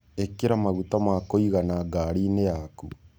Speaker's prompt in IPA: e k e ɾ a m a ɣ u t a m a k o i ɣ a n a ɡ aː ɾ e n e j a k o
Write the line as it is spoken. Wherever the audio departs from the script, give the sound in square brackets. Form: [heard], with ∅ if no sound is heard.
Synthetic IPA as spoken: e k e ɾ a m a ɣ u t a m a k o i ɣ a n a ɡ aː ɾ [i] n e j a k [u]